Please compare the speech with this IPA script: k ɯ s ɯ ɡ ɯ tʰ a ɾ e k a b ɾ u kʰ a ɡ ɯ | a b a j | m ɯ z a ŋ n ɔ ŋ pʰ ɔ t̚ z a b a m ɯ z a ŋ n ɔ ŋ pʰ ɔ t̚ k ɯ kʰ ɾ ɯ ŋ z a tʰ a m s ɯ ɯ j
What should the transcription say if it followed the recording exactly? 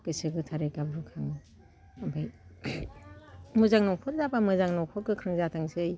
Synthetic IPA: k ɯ s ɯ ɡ ɯ tʰ a ɾ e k a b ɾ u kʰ a ŋ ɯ | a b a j | m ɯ z a ŋ n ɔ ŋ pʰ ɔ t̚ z a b a m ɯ z a ŋ n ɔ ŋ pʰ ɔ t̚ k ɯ kʰ ɾ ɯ ŋ z a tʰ a ŋ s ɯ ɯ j